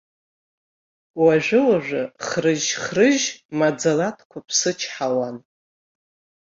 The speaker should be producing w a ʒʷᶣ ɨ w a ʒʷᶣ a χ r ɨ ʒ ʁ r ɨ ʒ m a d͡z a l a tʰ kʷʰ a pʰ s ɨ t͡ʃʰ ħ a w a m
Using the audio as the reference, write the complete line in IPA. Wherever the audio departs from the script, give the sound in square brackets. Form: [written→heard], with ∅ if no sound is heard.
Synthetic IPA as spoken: w a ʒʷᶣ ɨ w a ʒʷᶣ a χ r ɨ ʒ [ʁ→χ] r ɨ ʒ m a d͡z a l a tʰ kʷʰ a pʰ s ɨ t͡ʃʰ ħ a w a [m→n]